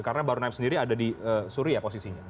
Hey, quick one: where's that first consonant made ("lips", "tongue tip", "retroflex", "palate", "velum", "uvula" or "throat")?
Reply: velum